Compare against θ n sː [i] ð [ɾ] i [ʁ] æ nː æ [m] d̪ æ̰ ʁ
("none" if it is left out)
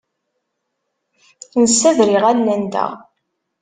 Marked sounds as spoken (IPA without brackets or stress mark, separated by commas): æ, ɾ, ʁ, n